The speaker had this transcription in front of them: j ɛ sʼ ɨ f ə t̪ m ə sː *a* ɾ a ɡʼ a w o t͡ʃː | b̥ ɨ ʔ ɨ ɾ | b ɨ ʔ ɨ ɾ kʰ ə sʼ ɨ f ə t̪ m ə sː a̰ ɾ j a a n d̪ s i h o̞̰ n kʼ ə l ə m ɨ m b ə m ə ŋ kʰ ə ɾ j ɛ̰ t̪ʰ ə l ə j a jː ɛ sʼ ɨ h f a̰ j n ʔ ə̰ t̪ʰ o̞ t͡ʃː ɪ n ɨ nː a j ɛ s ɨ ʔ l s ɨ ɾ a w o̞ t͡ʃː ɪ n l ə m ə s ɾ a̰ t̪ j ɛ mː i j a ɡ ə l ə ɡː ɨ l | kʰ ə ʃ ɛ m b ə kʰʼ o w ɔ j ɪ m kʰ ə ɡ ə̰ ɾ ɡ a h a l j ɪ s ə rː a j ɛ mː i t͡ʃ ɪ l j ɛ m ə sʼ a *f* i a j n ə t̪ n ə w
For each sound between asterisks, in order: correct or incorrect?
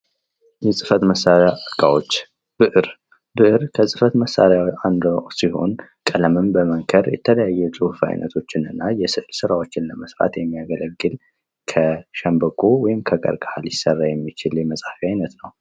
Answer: correct, correct

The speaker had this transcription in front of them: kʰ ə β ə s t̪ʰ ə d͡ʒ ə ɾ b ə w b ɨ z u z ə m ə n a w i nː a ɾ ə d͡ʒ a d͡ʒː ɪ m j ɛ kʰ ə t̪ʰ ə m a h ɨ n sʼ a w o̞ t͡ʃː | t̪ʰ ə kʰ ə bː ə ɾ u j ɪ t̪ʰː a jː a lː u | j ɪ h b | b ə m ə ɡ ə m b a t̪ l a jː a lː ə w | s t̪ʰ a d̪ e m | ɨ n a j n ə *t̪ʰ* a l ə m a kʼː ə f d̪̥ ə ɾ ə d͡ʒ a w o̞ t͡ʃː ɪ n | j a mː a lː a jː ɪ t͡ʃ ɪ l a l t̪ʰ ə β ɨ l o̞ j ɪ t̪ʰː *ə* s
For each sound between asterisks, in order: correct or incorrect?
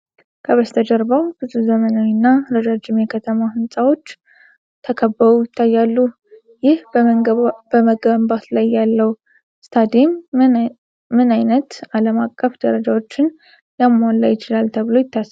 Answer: incorrect: t̪, incorrect: a

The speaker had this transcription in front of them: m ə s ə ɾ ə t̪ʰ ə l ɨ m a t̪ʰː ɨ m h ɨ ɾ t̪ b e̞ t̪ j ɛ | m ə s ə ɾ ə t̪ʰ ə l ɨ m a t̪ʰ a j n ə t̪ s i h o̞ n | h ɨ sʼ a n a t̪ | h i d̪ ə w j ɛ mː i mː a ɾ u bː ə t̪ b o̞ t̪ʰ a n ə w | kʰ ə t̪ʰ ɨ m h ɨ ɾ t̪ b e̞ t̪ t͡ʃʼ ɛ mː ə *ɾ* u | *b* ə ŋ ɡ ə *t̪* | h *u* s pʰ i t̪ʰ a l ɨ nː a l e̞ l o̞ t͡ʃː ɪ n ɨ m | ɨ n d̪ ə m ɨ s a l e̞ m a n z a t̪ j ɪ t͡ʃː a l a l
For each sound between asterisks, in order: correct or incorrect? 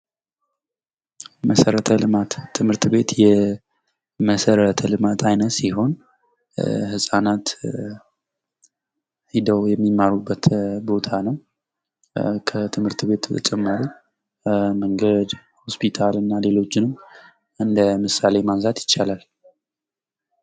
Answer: correct, incorrect: m, incorrect: d̪, incorrect: o

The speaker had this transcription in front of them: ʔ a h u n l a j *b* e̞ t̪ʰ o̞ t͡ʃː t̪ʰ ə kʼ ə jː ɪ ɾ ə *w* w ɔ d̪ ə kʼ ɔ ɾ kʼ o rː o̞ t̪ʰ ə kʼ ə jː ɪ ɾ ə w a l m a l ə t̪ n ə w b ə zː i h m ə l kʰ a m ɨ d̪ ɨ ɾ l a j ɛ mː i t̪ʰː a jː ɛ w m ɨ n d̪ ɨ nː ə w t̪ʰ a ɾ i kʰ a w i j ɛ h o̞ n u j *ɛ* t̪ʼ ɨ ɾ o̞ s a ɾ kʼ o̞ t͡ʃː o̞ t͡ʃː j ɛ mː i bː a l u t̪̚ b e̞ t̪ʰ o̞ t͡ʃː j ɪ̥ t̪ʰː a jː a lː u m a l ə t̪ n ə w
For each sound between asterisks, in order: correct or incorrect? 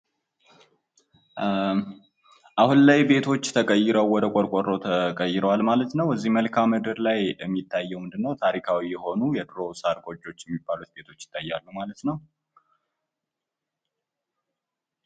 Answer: correct, correct, correct

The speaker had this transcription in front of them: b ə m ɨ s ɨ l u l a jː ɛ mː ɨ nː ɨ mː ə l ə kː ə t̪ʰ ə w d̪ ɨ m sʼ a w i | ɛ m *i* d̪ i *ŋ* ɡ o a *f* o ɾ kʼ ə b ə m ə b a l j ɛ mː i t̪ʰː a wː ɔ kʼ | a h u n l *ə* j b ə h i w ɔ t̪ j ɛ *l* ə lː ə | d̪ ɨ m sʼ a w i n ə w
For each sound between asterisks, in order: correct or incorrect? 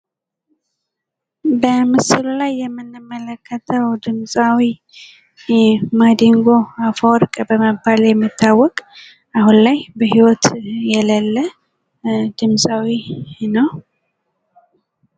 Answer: incorrect: a, correct, correct, incorrect: a, correct

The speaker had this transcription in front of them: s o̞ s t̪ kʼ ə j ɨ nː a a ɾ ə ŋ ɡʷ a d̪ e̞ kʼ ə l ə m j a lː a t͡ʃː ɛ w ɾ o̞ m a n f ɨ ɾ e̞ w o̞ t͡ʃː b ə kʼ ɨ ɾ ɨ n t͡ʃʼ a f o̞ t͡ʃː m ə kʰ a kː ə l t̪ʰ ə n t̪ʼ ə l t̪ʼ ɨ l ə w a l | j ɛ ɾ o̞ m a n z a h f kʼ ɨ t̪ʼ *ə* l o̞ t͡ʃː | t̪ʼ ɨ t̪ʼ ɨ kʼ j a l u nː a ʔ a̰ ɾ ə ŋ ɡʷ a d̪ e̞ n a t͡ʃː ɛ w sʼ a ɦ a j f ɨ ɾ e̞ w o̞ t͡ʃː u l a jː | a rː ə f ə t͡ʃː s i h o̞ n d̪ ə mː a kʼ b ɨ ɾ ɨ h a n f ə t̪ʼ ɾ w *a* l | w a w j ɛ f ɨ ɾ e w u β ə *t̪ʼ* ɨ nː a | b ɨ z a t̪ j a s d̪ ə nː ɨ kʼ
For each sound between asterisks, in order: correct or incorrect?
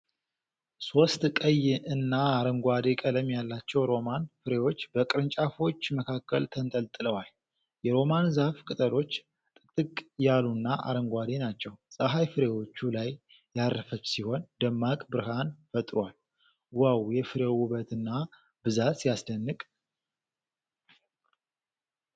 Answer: correct, correct, incorrect: t̪

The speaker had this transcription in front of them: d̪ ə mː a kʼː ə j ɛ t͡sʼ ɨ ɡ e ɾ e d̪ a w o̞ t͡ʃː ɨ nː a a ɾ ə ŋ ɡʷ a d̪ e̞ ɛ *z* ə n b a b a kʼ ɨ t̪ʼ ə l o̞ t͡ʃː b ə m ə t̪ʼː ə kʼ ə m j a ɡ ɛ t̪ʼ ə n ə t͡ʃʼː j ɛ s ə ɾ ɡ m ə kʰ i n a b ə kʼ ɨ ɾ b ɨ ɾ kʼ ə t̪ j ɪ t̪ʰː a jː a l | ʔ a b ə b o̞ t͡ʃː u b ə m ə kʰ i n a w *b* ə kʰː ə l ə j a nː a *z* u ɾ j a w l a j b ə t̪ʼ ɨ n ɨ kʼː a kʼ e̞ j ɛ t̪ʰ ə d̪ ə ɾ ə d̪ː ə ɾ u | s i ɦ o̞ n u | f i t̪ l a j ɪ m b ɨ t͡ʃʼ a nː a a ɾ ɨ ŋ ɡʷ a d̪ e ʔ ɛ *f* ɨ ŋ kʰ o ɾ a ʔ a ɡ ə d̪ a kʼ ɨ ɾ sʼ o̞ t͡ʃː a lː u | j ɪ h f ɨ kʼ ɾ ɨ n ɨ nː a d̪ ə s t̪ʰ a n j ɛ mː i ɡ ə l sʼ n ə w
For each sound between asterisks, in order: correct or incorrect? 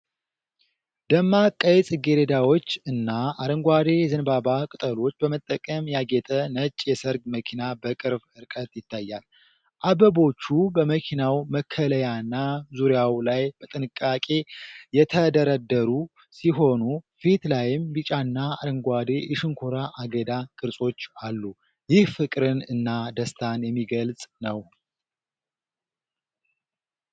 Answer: correct, incorrect: m, correct, incorrect: ʃ

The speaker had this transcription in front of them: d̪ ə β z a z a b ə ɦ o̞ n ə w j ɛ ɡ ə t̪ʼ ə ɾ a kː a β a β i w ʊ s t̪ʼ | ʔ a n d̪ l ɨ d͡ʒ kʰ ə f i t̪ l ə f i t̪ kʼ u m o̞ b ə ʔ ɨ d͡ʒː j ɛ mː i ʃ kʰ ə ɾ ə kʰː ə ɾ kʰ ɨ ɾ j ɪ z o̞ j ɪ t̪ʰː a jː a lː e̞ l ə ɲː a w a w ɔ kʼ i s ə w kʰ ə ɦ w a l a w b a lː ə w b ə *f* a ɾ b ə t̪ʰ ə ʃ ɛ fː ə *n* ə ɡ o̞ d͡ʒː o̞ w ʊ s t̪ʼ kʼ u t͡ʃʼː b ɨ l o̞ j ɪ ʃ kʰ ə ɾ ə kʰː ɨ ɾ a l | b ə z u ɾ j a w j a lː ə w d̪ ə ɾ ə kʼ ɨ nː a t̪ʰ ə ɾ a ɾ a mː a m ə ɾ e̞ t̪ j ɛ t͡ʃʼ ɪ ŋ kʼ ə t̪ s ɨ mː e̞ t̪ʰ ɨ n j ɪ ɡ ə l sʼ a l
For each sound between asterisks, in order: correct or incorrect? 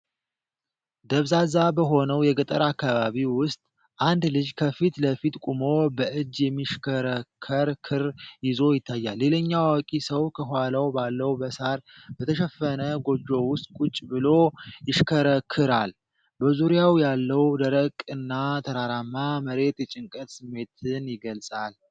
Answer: incorrect: s, correct

